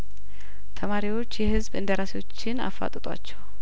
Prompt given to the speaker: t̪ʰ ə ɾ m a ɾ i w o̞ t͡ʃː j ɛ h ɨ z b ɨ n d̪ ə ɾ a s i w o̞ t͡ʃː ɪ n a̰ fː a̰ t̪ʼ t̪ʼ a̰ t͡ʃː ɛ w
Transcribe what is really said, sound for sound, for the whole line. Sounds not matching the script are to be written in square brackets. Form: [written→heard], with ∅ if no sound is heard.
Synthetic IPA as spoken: t̪ʰ ə [ɾ→∅] m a ɾ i w o̞ t͡ʃː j ɛ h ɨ z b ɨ n d̪ ə ɾ a s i w o̞ t͡ʃː ɪ n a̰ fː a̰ t̪ʼ t̪ʼ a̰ t͡ʃː ɛ w